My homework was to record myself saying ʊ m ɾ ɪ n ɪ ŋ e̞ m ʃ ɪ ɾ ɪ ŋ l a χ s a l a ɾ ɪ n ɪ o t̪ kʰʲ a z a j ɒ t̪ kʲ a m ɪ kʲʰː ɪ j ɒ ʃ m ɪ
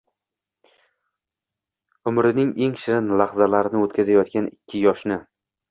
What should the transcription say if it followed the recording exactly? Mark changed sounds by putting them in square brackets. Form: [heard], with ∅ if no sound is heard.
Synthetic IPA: ʊ m ɾ ɪ n ɪ ŋ e̞ [ŋ] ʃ ɪ ɾ ɪ [n] l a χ [z] a l a ɾ ɪ n ɪ o t̪ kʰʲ a z a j ɒ t̪ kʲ a [n] ɪ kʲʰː ɪ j ɒ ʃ [n] ɪ